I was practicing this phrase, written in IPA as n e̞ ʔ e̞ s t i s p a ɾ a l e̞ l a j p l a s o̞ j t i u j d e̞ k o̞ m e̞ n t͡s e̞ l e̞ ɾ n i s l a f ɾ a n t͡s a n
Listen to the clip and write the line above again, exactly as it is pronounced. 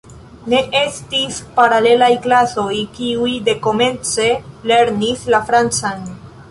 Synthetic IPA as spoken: n e̞ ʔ e̞ s t i s p a ɾ a l e̞ l a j k l a s o̞ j k i u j d e̞ k o̞ m e̞ n t͡s e̞ l e̞ ɾ n i s l a f ɾ a n t͡s a n